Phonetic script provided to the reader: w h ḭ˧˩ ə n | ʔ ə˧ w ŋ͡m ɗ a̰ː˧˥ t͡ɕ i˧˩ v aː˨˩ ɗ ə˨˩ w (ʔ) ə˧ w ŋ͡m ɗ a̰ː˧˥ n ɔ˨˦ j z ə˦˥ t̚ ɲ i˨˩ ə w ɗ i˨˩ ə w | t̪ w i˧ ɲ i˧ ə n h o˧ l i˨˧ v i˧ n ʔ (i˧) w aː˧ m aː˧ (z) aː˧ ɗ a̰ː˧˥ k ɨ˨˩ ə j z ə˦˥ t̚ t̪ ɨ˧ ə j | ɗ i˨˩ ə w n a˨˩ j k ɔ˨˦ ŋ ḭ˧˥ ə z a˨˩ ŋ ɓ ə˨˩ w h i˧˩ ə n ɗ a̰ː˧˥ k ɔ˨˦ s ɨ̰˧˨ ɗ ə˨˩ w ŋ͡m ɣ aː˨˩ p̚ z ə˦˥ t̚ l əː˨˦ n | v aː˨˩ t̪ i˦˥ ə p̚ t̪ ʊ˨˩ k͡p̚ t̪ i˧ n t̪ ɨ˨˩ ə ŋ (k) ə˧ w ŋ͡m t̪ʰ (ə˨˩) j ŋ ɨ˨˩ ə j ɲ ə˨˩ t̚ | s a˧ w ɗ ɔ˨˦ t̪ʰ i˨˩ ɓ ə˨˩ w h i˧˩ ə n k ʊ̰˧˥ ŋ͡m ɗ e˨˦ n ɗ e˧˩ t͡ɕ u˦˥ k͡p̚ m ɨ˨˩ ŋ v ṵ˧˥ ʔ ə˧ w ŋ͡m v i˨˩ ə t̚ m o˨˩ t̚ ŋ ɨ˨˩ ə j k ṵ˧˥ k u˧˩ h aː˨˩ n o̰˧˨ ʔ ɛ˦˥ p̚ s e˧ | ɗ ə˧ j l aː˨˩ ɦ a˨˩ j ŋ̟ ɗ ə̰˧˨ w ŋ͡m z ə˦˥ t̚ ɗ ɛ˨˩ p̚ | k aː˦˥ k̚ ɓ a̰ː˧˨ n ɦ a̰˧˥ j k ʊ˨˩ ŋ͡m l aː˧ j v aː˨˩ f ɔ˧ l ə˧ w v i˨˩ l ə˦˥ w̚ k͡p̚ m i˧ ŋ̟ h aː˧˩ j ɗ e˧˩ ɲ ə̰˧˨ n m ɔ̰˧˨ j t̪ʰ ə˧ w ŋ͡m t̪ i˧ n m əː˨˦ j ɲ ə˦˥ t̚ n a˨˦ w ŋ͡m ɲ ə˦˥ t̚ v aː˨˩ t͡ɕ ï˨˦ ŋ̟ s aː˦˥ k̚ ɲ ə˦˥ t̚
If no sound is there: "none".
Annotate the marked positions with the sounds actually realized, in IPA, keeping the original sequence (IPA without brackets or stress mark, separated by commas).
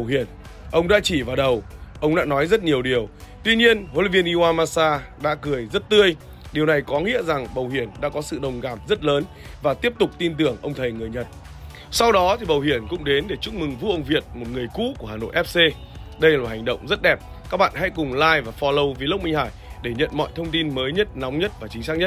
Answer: ʔ, i˧, s, ʔ, ə˨˩